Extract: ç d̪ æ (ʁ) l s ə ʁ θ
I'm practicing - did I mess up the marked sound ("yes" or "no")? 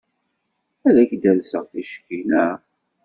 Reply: yes